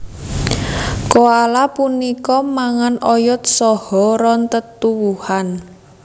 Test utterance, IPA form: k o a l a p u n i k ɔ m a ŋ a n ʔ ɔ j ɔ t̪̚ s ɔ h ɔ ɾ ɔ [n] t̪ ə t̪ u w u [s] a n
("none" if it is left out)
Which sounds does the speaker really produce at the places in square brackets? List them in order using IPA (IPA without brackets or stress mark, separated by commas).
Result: n, h